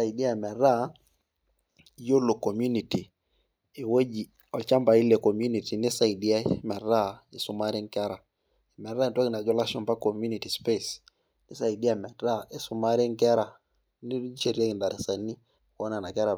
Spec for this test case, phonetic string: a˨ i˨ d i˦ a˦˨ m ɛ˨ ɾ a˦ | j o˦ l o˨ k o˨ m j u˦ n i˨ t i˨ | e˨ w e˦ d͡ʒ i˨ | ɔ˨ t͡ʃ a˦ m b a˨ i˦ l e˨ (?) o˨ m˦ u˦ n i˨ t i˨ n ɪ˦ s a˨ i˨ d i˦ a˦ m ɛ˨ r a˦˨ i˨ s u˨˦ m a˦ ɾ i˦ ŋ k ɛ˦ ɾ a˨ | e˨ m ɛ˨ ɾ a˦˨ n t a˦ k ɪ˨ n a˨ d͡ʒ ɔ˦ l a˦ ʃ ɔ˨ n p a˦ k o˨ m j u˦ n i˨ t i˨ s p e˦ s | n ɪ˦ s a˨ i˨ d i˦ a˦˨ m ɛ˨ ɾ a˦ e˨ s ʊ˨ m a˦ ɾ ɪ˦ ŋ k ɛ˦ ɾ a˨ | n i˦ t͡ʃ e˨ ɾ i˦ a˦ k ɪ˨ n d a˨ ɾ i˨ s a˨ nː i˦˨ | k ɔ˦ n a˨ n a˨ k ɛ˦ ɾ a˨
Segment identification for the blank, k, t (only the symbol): k